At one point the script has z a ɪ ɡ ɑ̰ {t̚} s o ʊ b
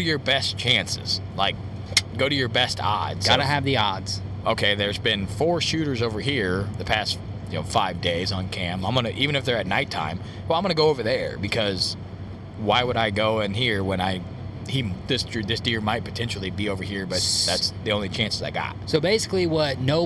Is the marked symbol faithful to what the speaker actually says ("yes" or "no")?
yes